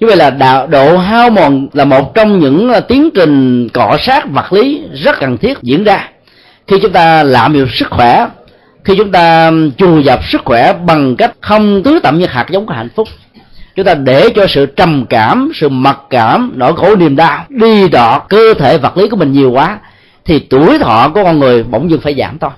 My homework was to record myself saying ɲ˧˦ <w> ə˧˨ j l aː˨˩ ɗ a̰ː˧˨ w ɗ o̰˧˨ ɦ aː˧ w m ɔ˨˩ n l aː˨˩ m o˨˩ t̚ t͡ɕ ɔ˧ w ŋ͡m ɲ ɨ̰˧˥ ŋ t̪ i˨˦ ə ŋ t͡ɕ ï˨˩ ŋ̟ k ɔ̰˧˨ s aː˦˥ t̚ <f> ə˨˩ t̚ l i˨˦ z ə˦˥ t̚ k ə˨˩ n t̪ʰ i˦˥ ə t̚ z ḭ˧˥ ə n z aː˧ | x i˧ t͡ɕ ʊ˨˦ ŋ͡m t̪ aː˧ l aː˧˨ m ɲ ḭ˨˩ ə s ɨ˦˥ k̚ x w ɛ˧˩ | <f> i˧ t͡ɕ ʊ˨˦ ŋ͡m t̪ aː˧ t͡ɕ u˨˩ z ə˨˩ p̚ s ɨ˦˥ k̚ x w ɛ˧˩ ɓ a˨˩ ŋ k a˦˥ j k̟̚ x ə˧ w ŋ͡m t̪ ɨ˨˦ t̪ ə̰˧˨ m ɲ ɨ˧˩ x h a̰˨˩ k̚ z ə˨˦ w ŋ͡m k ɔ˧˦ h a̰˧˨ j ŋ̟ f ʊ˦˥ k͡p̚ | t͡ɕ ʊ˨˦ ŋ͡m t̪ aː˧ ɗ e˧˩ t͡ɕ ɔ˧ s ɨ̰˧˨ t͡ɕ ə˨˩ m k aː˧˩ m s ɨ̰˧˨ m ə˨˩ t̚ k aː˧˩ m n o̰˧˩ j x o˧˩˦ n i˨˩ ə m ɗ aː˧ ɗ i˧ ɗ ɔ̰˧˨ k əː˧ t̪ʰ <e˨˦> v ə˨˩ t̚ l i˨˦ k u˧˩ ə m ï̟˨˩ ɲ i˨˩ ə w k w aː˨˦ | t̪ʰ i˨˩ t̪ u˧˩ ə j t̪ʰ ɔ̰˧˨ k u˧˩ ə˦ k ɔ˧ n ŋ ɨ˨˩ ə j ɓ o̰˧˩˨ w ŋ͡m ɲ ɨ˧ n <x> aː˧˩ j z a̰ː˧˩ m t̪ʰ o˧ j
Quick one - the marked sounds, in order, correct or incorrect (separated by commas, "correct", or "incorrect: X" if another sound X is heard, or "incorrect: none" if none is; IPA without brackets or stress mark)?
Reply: incorrect: v, incorrect: v, incorrect: x, incorrect: e˧˩, incorrect: f